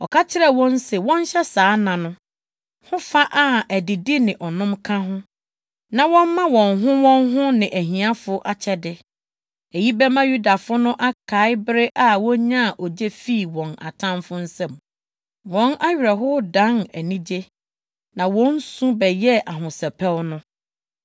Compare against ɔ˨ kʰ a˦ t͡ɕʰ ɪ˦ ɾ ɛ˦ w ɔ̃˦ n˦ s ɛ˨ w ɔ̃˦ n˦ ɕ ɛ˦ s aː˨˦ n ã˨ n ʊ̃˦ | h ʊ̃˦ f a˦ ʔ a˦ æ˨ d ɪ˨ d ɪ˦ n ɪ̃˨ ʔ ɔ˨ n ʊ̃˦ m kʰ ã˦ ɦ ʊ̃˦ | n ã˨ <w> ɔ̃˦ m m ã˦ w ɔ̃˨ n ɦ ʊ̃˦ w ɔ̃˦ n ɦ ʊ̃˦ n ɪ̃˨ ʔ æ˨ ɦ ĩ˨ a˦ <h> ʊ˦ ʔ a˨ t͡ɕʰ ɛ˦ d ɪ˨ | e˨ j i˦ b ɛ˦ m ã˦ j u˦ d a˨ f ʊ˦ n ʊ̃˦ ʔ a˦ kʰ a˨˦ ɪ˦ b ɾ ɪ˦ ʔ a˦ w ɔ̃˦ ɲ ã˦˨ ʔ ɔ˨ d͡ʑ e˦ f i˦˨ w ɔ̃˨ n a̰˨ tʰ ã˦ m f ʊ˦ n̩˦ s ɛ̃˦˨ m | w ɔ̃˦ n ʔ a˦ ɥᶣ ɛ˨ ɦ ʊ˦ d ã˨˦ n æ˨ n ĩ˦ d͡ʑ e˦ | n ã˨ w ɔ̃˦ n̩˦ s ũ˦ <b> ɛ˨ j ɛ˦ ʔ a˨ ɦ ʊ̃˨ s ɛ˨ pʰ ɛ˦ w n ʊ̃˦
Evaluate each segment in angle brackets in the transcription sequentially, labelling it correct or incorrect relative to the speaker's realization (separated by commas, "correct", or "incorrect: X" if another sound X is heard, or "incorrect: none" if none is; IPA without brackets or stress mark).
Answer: correct, incorrect: f, correct